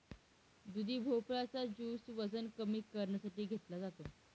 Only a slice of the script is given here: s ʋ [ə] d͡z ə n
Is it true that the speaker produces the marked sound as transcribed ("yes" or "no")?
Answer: yes